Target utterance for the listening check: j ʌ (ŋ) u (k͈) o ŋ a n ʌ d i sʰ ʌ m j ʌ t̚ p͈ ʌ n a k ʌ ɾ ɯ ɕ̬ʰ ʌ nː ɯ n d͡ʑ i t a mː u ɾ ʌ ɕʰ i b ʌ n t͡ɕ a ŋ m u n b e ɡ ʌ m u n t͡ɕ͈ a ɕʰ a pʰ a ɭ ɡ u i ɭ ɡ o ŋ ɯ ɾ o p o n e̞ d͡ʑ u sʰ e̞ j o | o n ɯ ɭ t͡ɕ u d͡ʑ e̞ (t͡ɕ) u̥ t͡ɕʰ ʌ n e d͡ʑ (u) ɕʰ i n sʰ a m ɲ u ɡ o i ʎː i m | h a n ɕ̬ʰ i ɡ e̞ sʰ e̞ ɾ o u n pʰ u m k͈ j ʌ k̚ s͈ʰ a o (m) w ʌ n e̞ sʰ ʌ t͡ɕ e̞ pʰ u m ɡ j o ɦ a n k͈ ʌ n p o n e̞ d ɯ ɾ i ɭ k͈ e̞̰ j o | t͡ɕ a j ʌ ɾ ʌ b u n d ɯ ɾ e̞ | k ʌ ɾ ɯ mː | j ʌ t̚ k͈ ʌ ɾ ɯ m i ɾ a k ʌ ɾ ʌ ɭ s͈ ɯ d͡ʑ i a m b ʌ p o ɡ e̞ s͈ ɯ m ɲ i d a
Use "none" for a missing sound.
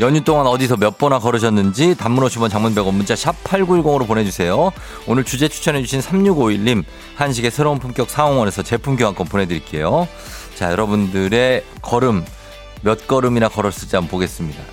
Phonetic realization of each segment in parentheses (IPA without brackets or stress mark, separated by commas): ɲ, t͈, t͡ɕʰ, u, ŋ